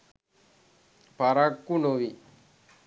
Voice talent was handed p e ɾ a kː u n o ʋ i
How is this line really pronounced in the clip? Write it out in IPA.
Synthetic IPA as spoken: p a ɾ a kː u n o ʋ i